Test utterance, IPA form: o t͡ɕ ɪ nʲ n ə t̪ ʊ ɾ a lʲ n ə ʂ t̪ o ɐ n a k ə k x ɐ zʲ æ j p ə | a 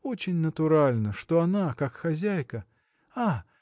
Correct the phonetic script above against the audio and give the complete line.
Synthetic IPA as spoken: o t͡ɕ ɪ nʲ n ə t̪ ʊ ɾ a lʲ n ə ʂ t̪ o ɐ n a k a k x ɐ zʲ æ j k ə | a